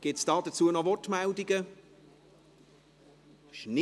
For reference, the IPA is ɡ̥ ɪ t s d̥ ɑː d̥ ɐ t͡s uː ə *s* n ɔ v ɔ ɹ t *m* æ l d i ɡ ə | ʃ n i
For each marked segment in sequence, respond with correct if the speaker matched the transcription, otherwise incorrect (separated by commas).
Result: incorrect, correct